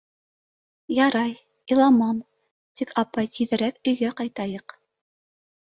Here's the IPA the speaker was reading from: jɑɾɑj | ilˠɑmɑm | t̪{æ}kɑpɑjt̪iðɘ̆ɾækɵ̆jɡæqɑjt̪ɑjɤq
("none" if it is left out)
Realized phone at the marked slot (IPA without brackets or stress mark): i